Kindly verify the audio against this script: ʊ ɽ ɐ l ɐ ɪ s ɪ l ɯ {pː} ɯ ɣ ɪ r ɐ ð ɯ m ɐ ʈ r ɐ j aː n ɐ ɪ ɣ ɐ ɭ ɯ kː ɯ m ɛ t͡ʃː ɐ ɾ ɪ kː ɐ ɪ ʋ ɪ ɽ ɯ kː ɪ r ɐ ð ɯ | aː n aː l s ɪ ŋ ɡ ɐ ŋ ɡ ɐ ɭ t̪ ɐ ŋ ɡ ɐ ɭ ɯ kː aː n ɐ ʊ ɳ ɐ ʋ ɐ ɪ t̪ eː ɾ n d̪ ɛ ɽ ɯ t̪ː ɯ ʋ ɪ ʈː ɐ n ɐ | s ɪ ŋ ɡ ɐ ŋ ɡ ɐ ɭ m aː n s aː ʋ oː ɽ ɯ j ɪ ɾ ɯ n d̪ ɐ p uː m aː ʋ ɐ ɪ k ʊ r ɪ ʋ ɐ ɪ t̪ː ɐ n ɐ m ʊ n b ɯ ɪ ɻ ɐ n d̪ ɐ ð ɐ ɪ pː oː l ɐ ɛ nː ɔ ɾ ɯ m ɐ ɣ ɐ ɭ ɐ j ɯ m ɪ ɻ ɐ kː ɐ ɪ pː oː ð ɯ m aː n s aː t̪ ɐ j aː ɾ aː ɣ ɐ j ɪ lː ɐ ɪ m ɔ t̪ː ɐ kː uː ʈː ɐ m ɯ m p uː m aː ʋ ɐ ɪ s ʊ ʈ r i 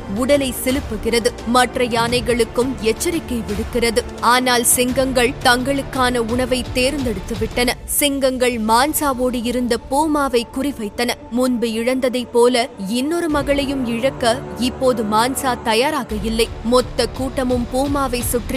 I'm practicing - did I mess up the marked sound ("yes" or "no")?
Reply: no